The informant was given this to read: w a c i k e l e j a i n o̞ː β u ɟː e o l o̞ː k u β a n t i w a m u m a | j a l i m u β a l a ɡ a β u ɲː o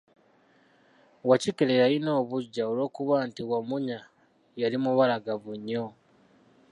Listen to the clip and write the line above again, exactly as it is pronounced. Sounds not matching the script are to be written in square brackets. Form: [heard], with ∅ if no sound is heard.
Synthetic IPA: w a c i k e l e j a i n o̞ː β u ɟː [a] o l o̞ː k u β a n t i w a m u [ɲ] a | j a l i m u β a l a ɡ a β u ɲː o